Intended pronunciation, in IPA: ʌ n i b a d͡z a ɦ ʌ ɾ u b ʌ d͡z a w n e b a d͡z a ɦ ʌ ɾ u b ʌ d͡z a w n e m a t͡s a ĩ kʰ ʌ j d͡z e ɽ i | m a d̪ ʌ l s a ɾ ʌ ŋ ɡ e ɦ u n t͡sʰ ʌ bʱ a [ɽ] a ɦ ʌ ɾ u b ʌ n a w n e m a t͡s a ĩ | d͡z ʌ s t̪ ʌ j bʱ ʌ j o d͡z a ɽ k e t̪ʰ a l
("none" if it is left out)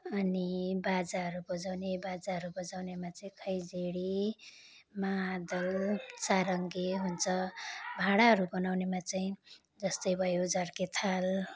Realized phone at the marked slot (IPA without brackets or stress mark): ɽ